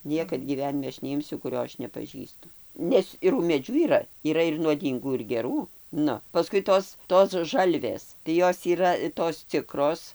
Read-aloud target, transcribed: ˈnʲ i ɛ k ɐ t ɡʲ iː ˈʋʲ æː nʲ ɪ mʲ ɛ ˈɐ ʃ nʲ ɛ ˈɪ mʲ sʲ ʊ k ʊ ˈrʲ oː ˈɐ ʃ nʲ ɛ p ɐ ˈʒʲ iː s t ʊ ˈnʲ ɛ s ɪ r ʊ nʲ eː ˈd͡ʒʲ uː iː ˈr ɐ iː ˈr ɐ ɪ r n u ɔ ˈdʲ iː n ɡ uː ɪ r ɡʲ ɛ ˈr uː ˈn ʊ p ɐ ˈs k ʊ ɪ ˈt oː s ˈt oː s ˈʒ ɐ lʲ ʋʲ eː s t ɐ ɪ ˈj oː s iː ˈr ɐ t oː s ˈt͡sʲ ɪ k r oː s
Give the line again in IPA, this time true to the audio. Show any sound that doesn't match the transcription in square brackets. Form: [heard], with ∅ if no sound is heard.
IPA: ˈnʲ i ɛ k ɐ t ɡʲ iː ˈʋʲ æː nʲ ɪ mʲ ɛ ˈɐ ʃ nʲ ɛ ˈɪ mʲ sʲ ʊ k ʊ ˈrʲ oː ˈɐ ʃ nʲ ɛ p ɐ ˈʒʲ iː s t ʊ ˈnʲ ɛ s ɪ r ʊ [mʲ] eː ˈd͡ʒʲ uː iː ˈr ɐ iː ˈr ɐ ɪ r n u ɔ ˈdʲ iː [ŋ] ɡ uː ɪ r ɡʲ ɛ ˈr uː ˈn ʊ p ɐ ˈs k ʊ ɪ ˈt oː s ˈt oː s ˈʒ ɐ lʲ ʋʲ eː s t ɐ ɪ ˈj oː s iː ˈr ɐ t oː s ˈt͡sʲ ɪ k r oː s